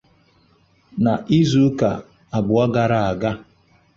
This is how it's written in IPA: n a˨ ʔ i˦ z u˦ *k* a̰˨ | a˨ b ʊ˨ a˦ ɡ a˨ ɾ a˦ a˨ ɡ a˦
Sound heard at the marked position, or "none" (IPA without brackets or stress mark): k